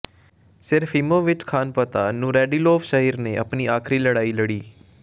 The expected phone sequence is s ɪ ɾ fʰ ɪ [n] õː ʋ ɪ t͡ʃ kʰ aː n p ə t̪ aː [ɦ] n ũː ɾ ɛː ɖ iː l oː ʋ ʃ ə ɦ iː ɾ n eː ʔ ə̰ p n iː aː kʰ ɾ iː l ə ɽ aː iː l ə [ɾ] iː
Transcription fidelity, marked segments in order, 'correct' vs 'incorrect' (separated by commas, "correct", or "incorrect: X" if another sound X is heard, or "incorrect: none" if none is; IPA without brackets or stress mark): incorrect: m, incorrect: none, incorrect: ɽ